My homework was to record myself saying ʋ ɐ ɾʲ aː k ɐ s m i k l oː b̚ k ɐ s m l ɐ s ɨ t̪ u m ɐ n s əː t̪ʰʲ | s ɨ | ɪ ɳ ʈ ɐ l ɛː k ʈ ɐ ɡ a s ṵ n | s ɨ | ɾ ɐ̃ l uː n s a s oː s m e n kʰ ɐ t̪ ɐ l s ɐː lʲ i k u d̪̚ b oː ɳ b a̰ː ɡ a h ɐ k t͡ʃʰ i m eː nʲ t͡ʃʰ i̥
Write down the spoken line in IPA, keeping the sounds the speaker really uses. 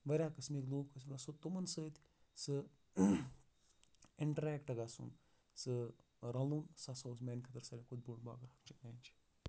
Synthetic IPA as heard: ʋ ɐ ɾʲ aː k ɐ s m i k l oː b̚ k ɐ s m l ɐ s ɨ t̪ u m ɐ n s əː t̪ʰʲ | s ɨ | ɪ ɳ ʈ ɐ ɾ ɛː k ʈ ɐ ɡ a s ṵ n | s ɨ | ɾ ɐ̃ l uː n s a s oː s m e n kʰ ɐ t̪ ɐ ɾ s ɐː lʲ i k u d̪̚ b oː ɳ b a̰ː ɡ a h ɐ k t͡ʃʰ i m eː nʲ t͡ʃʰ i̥